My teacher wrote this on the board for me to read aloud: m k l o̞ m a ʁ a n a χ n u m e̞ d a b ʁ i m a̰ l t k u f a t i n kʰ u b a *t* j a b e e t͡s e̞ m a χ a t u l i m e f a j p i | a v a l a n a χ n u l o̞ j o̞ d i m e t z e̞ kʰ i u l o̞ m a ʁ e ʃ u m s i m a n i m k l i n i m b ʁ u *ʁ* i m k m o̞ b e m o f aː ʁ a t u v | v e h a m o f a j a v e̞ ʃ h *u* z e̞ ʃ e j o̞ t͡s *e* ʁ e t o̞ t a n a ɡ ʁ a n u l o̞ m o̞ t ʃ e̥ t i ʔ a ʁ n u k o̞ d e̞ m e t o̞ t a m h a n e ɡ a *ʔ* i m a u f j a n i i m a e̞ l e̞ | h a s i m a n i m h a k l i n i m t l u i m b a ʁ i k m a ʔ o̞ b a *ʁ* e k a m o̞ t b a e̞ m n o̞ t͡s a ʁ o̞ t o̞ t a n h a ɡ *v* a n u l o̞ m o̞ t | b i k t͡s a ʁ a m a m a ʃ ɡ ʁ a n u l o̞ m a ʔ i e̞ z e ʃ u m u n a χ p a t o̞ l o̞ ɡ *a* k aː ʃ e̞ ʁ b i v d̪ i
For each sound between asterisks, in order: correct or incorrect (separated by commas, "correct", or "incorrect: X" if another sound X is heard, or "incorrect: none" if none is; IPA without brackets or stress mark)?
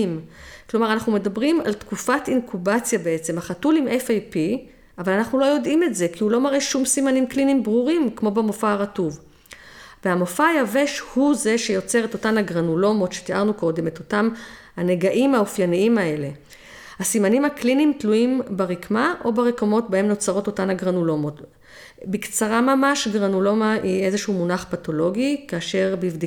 incorrect: t͡s, correct, correct, correct, correct, correct, incorrect: ʁ, incorrect: i